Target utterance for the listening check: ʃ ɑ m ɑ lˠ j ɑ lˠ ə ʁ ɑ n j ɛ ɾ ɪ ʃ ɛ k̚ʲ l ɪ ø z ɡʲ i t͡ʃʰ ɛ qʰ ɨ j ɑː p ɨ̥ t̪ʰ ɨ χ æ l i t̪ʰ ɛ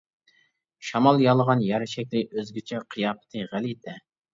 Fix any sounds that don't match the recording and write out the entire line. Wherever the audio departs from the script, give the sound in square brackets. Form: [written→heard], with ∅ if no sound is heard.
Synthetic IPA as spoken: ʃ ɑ m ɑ lˠ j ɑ lˠ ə ʁ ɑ n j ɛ ɾ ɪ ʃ ɛ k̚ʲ l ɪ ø z ɡʲ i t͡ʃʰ ɛ qʰ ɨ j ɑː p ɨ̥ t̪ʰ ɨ [χ→ʁ] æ l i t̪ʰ ɛ